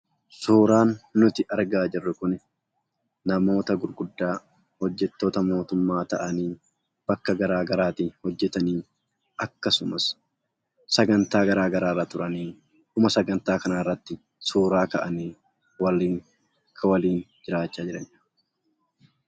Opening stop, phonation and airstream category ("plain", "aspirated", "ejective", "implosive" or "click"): plain